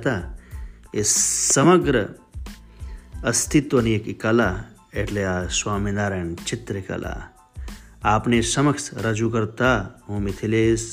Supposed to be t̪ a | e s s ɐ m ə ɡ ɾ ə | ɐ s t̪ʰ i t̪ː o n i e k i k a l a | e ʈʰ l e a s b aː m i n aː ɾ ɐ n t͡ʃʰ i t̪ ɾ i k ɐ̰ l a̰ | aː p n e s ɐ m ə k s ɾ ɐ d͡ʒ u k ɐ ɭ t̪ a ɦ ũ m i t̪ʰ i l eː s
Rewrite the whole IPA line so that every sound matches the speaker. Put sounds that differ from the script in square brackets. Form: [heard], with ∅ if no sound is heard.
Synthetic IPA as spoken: t̪ a | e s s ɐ m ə ɡ ɾ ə | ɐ s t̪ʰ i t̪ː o n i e k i k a l a | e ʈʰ l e a s [w] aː m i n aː ɾ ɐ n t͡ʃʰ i t̪ ɾ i k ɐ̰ l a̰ | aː p n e s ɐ m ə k s ɾ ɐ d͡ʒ u k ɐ [ɾ] t̪ a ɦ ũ m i t̪ʰ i l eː s